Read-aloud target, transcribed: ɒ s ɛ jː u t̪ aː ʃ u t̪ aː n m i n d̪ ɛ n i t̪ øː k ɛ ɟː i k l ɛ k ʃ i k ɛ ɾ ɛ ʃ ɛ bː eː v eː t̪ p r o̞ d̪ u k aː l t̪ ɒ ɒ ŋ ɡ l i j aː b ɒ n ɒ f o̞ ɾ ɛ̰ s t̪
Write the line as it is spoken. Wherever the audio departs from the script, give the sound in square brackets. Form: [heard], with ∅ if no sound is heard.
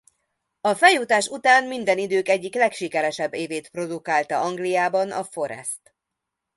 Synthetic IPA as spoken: ɒ [f] ɛ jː u t̪ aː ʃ u t̪ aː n m i n d̪ ɛ n i [d̪] øː k ɛ ɟː i k l ɛ k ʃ i k ɛ ɾ ɛ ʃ ɛ bː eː v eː t̪ p r o̞ d̪ u k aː l t̪ ɒ ɒ ŋ ɡ l i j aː b ɒ n ɒ f o̞ ɾ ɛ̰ s t̪

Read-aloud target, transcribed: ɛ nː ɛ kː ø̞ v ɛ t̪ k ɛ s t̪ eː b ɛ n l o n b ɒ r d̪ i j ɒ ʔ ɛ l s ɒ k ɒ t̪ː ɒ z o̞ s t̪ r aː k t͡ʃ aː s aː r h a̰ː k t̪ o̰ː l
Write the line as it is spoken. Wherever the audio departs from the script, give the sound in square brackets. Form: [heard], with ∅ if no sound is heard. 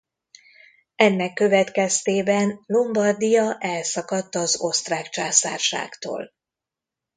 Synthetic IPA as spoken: ɛ nː ɛ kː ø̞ v ɛ t̪ k ɛ s t̪ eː b ɛ n l o [m] b ɒ r d̪ i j ɒ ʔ ɛ l s ɒ k ɒ t̪ː ɒ z o̞ s t̪ r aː k t͡ʃ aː s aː r [ʃ] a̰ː k t̪ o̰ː l

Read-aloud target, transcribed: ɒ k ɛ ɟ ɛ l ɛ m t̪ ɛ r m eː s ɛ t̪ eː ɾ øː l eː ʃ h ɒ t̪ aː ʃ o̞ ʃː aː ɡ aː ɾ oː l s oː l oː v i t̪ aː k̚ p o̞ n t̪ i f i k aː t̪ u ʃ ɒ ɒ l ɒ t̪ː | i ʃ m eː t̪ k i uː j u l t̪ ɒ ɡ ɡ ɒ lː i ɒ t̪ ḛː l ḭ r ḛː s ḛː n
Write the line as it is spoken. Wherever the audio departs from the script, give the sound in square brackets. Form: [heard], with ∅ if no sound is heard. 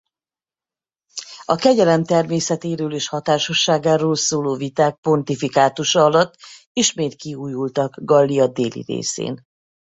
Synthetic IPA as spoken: ɒ k ɛ ɟ ɛ l ɛ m t̪ ɛ r m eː s ɛ t̪ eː ɾ øː l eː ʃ h ɒ t̪ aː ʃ o̞ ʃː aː ɡ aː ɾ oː l s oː l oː v i t̪ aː k̚ p o̞ n t̪ i f i k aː t̪ u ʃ ɒ ɒ l ɒ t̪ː | i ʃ m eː t̪ k i uː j u l t̪ ɒ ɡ ɡ ɒ lː i ɒ [d̪] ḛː l ḭ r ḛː s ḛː n

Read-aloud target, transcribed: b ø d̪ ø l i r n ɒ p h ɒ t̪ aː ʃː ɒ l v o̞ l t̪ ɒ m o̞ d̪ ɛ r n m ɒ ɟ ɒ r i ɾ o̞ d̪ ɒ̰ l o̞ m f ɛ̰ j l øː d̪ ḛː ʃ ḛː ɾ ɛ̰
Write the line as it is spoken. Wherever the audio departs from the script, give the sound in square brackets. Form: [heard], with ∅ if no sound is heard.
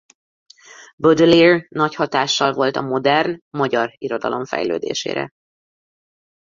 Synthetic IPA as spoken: b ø d̪ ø l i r n ɒ [c] h ɒ t̪ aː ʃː ɒ l v o̞ l t̪ ɒ m o̞ d̪ ɛ r n m ɒ ɟ ɒ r i ɾ o̞ d̪ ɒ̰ l o̞ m f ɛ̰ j l øː d̪ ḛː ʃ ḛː ɾ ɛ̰

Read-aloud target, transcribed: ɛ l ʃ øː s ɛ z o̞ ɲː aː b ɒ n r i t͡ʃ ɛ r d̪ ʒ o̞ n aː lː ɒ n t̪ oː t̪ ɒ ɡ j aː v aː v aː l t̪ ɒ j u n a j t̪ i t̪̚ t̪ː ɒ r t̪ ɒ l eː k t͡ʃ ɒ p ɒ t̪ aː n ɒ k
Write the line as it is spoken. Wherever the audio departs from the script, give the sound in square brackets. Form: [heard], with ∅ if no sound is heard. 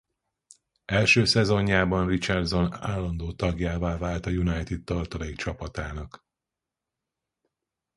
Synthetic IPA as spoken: ɛ l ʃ øː s ɛ z o̞ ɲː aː b ɒ n r i t͡ʃ ɛ r d̪ [z] o̞ n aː lː ɒ n [d̪] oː t̪ ɒ ɡ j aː v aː v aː l t̪ ɒ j u n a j t̪ i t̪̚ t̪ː ɒ r t̪ ɒ l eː k t͡ʃ ɒ p ɒ t̪ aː n ɒ k

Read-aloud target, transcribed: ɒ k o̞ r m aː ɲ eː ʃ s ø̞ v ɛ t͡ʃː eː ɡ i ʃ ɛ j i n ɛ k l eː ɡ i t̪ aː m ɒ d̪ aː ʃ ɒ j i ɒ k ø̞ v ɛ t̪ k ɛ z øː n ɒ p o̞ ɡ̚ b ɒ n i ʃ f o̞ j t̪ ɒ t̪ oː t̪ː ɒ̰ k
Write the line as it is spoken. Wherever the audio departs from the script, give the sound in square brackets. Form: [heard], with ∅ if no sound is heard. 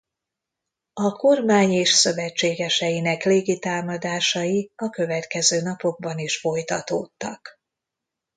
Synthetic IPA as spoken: ɒ k o̞ r m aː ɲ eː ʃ s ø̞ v ɛ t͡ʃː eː ɡ [ɛ] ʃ ɛ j i n ɛ k l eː ɡ i t̪ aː m ɒ d̪ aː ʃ ɒ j i ɒ k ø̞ v ɛ t̪ k ɛ z øː n ɒ p o̞ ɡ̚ b ɒ n i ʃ f o̞ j t̪ ɒ t̪ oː t̪ː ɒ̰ k

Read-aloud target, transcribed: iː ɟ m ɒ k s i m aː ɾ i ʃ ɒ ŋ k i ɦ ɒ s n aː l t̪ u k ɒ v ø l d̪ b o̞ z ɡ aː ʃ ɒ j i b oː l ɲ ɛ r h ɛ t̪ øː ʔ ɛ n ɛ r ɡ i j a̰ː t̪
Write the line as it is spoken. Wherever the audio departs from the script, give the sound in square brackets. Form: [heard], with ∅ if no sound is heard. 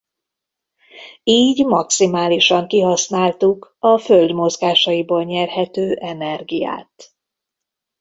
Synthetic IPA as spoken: iː ɟ m ɒ k s i m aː [l] i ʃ ɒ ŋ k i ɦ ɒ s n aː l t̪ u k ɒ [f] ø l d̪ [m] o̞ z ɡ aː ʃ ɒ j i b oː l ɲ ɛ r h ɛ t̪ øː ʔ ɛ n ɛ r ɡ i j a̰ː t̪

